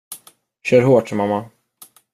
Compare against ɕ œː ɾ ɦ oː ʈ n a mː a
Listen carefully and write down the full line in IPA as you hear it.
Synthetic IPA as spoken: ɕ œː ɾ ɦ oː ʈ m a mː a